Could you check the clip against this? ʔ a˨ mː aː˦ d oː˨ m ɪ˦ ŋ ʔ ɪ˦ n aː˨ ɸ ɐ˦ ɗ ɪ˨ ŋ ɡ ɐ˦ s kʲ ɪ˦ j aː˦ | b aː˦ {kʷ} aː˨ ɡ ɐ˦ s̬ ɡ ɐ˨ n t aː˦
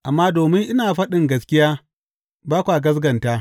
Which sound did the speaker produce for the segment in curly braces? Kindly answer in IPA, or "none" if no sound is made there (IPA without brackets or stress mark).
kʷ